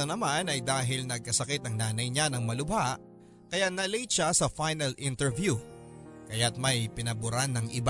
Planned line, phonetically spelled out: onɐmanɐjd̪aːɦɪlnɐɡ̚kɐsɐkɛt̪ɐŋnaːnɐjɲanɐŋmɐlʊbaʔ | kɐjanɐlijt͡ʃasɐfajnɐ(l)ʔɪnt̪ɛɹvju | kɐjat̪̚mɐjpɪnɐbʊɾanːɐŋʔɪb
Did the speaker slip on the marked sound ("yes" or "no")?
no